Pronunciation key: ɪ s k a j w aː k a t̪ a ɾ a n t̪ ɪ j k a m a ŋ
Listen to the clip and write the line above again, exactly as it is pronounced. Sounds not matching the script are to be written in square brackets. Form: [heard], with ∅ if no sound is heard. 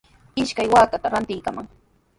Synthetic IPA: ɪ [ʃ] k a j w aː k a t̪ a ɾ a n t̪ ɪ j k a m a ŋ

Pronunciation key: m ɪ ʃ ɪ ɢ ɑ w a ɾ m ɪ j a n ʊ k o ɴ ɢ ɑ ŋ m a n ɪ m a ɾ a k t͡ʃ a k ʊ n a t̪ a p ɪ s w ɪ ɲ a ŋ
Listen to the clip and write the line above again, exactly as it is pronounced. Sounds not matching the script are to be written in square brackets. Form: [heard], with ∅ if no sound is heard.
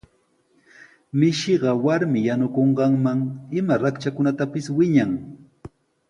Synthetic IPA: m ɪ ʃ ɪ ɢ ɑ w a ɾ m ɪ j a n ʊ k o ɴ ɢ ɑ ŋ m a [ŋ] ɪ m a ɾ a k t͡ʃ a k ʊ n a t̪ a p ɪ s w ɪ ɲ a ŋ

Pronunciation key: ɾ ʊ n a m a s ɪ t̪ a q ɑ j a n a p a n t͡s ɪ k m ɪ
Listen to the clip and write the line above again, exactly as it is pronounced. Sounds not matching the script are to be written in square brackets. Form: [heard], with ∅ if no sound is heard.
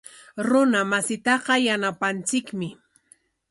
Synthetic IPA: ɾ ʊ n a m a s ɪ t̪ [ɑ] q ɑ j a n a p a n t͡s ɪ k m ɪ

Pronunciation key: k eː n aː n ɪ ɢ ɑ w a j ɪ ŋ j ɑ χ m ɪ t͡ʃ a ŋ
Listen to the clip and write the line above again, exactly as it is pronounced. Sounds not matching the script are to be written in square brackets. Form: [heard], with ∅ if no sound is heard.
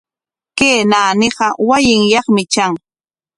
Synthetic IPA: k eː n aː n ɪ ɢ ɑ w a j ɪ ŋ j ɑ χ m ɪ t͡ʃ a ŋ

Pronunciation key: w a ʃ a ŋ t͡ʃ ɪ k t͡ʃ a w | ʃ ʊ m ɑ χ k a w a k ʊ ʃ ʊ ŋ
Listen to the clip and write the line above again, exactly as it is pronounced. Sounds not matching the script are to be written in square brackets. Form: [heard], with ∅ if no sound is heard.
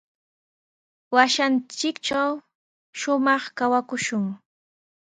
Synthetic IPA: w a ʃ a [n] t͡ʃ ɪ k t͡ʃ a w | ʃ ʊ m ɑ χ k a w a k ʊ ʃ ʊ ŋ

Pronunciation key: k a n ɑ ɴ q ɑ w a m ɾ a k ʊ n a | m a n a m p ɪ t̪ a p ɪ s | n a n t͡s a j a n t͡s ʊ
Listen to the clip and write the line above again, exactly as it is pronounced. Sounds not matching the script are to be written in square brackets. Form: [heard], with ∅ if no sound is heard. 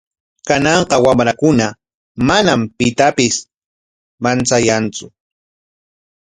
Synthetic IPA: k a n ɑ ɴ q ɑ w a m ɾ a k ʊ n a | m a n a m p ɪ t̪ a p ɪ s | [m] a n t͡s a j a n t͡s ʊ

